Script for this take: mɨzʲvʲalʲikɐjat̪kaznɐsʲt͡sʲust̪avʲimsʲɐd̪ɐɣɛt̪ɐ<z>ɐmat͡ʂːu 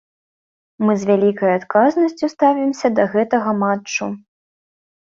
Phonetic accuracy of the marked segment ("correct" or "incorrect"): incorrect